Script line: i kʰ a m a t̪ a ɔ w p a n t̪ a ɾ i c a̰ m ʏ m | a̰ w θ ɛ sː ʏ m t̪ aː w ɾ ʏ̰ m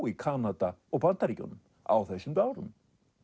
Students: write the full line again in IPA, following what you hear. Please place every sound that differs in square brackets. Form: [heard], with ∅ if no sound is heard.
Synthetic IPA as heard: i kʰ a [n] a t̪ a ɔ [ɣ] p a n t̪ a ɾ i c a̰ [n] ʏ m | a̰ w θ ɛ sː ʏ m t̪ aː w ɾ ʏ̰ m